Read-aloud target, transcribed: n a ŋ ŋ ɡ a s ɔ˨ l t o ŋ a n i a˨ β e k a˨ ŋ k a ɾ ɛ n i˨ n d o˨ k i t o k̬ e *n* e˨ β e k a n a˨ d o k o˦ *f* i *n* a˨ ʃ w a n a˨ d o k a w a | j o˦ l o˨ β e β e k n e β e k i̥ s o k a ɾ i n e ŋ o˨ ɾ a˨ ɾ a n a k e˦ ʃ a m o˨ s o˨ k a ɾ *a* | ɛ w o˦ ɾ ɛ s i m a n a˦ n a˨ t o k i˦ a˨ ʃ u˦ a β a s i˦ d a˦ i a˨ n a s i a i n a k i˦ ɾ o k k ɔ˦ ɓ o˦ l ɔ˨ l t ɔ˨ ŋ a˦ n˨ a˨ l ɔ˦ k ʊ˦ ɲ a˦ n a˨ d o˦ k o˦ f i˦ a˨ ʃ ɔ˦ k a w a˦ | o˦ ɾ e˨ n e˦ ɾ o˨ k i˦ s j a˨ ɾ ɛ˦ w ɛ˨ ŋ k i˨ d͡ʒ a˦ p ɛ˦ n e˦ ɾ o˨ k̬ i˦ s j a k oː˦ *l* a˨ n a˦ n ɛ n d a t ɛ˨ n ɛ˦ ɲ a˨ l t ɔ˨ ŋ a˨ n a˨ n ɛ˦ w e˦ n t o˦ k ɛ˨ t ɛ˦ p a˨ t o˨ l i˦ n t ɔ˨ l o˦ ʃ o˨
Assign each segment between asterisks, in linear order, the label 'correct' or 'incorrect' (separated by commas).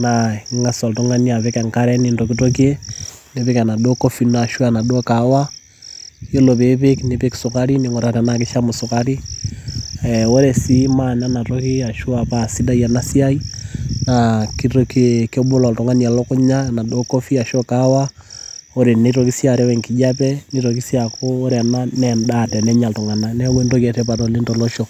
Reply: correct, correct, correct, incorrect, incorrect